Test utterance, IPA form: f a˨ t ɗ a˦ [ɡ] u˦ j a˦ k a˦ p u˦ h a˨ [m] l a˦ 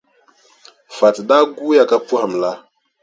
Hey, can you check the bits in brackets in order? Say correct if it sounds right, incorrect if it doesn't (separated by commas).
correct, correct